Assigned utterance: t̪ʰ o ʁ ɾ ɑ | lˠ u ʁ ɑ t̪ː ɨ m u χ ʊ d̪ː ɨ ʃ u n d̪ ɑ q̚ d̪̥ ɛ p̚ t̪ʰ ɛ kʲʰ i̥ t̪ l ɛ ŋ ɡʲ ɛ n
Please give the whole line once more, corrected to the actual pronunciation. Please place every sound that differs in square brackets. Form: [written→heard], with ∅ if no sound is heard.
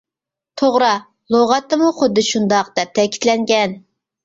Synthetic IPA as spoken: t̪ʰ o ʁ ɾ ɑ | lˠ [u→o] ʁ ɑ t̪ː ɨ m u χ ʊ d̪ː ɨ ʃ u n d̪ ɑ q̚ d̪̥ ɛ p̚ t̪ʰ ɛ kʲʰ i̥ t̪ l ɛ ŋ ɡʲ ɛ n